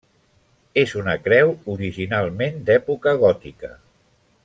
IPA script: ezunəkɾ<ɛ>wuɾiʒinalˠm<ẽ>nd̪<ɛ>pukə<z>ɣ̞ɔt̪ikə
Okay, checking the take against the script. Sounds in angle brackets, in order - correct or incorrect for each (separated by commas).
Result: correct, incorrect, correct, incorrect